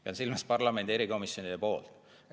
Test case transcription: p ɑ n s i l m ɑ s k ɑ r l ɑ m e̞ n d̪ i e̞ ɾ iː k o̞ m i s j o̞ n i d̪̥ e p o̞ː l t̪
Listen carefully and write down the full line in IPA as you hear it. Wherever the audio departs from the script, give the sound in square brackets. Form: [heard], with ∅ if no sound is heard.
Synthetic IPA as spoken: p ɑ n s i l m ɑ s [p] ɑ r l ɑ m e̞ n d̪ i e̞ ɾ [i] k o̞ m i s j o̞ n i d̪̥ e p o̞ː l t̪